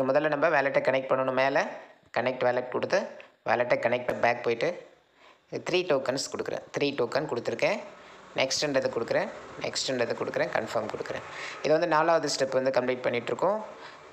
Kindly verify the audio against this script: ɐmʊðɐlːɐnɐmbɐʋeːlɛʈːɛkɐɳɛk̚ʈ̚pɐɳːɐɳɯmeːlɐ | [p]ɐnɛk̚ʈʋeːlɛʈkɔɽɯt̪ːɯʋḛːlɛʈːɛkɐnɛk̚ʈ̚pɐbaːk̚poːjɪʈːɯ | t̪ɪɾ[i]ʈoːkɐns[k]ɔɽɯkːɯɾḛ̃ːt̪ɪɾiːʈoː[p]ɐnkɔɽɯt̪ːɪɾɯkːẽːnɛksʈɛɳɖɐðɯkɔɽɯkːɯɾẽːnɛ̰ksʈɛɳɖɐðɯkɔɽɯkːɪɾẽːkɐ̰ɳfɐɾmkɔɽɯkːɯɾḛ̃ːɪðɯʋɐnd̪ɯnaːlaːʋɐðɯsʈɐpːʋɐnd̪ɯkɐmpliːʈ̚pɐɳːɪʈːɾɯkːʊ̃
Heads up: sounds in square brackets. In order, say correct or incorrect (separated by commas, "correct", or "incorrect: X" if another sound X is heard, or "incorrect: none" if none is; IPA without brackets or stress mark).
incorrect: k, incorrect: iː, correct, incorrect: k